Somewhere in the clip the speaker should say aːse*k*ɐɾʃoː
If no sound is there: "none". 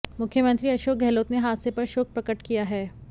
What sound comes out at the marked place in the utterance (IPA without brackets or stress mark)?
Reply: p